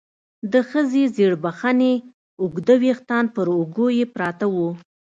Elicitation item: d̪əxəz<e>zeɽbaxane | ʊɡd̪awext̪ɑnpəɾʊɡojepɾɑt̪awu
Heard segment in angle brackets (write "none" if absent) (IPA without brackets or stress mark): e